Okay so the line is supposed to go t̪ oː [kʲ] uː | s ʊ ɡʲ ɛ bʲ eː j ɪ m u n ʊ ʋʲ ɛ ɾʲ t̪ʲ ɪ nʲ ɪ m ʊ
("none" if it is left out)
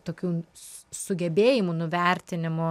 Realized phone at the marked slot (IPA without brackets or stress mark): kʲ